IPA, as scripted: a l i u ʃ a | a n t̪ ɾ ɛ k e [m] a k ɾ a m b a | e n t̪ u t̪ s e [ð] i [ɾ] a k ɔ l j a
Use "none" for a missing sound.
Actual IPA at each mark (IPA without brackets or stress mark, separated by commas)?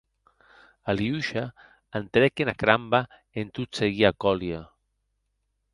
n, ɣ, none